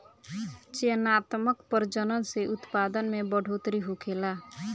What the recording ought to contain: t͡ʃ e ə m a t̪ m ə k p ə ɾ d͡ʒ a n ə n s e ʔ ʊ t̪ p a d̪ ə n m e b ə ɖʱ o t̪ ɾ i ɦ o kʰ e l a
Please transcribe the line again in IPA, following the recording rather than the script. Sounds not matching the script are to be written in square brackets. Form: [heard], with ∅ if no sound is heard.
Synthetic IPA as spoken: t͡ʃ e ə [n] a t̪ m ə k p ə ɾ d͡ʒ [ə] n ə n s e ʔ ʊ t̪ p a d̪ ə n m e b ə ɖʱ o t̪ ɾ i ɦ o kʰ e l a